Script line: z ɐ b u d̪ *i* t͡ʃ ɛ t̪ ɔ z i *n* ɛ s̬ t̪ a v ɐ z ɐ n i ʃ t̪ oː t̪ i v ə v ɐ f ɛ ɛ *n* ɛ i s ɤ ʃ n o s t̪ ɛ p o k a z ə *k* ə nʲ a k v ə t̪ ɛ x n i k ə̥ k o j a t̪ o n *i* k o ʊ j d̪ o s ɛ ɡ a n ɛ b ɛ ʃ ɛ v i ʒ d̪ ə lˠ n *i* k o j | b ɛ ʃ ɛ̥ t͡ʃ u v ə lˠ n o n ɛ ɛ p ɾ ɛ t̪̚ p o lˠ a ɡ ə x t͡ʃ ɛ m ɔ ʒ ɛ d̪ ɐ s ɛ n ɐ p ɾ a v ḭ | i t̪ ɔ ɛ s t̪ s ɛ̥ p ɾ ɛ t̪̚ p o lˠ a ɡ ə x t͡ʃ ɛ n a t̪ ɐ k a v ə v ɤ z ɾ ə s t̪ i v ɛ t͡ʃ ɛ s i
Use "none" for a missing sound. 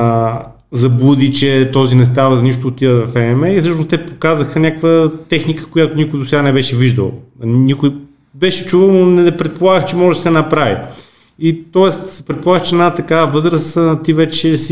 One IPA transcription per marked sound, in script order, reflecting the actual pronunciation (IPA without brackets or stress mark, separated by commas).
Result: i, n, m, x, i, i